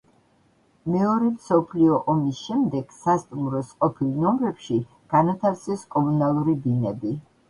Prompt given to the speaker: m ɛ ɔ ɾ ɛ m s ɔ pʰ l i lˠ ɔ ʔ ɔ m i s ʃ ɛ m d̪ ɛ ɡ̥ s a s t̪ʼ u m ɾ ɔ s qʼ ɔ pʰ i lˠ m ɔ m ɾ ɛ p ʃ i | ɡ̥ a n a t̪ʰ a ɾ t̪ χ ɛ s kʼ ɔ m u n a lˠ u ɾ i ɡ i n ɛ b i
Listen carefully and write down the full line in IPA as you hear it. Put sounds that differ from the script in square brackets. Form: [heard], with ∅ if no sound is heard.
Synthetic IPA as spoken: m ɛ ɔ ɾ ɛ m s ɔ pʰ l i [∅] ɔ ʔ ɔ m i s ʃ ɛ m d̪ ɛ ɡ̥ s a s t̪ʼ u m ɾ ɔ s qʼ ɔ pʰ i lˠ [n] ɔ m ɾ ɛ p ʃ i | ɡ̥ a n a t̪ʰ a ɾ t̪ [s] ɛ s kʼ ɔ m u n a lˠ u ɾ i [b] i n ɛ b i